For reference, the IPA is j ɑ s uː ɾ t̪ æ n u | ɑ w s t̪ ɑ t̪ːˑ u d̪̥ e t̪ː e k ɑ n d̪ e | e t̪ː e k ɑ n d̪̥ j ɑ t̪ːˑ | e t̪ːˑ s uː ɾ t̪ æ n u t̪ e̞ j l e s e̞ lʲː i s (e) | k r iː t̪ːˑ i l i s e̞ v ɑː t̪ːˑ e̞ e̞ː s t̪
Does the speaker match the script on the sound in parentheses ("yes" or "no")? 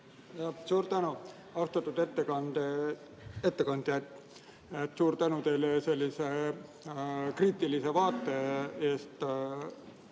yes